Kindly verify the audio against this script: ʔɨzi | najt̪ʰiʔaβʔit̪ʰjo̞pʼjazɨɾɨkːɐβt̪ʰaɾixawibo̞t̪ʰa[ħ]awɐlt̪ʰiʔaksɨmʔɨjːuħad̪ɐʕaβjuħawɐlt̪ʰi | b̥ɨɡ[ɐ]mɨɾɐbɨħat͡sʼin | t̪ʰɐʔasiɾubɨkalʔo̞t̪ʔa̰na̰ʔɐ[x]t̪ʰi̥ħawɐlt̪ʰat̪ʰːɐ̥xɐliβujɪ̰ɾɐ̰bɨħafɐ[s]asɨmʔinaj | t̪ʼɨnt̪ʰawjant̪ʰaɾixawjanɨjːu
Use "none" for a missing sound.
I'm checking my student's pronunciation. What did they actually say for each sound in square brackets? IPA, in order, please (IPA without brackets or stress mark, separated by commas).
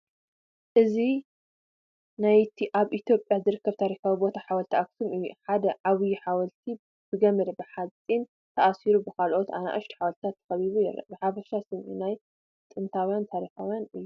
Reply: ħ, ɐ, ʃ, ʃ